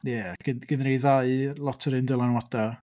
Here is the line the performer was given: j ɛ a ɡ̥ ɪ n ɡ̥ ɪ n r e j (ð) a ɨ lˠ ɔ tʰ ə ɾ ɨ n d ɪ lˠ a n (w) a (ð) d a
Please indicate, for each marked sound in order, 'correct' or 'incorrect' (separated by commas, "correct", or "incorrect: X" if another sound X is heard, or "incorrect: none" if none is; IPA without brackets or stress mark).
correct, correct, incorrect: none